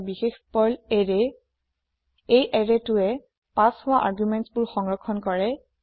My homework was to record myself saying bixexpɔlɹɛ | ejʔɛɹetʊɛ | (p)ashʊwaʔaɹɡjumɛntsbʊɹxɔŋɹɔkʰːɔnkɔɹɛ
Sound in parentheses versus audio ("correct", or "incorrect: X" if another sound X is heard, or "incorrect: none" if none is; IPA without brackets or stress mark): correct